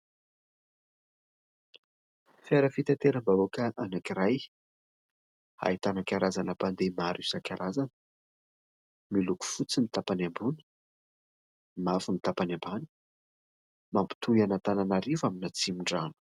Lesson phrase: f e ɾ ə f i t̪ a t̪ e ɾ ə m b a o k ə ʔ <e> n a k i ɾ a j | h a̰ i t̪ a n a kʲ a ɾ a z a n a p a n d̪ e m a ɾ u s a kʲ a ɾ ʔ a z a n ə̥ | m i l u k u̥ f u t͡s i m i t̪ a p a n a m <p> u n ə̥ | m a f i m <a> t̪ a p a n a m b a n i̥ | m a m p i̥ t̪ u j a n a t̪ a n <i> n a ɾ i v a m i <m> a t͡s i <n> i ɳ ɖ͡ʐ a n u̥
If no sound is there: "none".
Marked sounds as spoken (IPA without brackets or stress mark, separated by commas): a, b, i, a, n, m